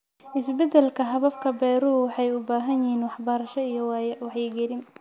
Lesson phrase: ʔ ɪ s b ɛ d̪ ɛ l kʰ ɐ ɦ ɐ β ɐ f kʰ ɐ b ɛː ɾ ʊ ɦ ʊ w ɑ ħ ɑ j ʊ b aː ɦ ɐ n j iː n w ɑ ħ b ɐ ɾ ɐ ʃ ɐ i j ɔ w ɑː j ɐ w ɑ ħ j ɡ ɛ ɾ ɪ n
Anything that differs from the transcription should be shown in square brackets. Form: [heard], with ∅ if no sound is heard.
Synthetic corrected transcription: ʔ ɪ s b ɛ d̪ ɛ l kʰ ɐ ɦ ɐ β ɐ f kʰ ɐ b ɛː ɾ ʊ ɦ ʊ w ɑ ħ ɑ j ʊ b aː ɦ ɐ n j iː n w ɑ ħ b ɐ ɾ ɐ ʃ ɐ i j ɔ w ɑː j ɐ w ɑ ħ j ɡ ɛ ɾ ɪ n